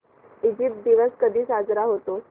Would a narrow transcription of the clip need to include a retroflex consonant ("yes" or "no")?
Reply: no